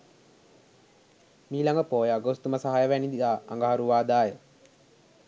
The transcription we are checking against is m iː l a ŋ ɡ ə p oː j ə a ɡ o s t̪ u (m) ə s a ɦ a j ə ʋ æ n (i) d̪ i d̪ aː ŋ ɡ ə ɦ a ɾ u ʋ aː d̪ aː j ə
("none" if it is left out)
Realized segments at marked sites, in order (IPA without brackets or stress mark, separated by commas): m, i